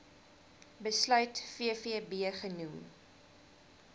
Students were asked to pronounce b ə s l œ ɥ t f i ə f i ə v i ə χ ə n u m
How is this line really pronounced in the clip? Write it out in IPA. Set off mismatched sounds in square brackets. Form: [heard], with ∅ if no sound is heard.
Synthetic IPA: b ə s l œ ɥ t f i ə f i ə [b] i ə χ ə n u m